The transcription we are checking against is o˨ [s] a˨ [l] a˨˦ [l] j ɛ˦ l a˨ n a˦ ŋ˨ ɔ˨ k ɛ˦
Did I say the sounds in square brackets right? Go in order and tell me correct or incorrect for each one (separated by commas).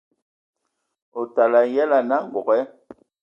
incorrect, correct, incorrect